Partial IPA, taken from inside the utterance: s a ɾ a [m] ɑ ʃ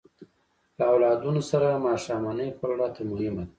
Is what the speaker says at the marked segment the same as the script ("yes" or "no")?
yes